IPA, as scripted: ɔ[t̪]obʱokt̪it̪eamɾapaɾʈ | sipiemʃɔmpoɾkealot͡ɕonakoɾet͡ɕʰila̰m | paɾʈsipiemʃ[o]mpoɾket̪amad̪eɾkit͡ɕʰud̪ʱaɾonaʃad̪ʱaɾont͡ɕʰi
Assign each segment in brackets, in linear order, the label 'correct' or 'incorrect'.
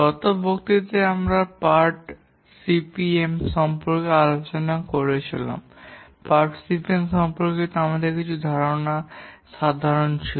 correct, incorrect: ɔ

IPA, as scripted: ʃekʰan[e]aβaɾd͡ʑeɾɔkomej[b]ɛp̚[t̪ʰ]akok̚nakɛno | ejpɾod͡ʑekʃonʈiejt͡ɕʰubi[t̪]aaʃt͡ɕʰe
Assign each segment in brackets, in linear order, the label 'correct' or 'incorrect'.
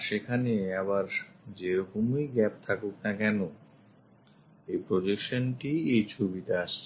correct, incorrect: ɡ, correct, correct

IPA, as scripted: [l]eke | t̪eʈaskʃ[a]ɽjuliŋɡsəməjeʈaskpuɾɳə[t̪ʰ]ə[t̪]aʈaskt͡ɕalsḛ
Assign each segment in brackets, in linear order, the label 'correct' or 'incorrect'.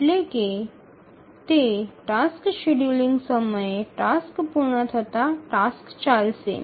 correct, incorrect: e, correct, correct

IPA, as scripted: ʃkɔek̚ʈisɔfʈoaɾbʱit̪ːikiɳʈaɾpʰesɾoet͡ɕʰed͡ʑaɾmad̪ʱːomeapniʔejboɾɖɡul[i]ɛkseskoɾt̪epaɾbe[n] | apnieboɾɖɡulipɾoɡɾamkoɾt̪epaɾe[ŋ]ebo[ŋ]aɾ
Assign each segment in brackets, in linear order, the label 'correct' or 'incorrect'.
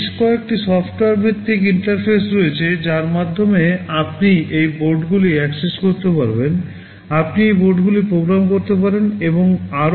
correct, correct, incorrect: n, correct

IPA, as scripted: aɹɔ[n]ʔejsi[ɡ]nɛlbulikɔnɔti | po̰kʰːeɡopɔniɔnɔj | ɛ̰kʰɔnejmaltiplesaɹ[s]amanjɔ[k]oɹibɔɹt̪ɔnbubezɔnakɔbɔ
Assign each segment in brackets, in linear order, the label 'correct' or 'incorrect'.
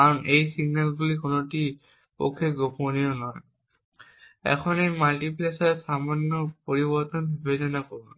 correct, correct, correct, incorrect: p

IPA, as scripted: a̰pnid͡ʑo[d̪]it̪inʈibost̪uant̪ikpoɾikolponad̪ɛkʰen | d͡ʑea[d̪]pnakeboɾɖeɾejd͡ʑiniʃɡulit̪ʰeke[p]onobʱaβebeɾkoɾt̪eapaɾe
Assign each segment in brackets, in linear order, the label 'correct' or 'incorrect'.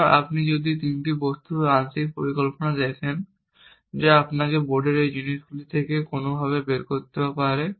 correct, incorrect: none, incorrect: k

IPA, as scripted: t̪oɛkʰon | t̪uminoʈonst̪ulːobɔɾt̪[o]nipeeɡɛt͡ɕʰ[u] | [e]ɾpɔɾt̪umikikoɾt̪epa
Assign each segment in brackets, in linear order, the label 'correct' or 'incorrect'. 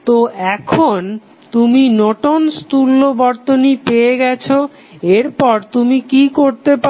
correct, incorrect: o, correct

